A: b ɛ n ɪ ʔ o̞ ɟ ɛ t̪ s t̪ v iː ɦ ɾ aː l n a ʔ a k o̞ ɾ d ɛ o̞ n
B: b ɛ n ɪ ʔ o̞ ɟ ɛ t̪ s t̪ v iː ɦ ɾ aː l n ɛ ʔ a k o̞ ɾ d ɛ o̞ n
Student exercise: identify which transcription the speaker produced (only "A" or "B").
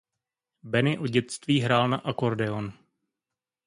A